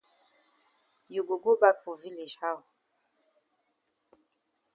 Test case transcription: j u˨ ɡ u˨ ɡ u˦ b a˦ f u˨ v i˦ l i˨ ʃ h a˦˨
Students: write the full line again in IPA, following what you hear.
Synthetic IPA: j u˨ ɡ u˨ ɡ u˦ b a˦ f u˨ v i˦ l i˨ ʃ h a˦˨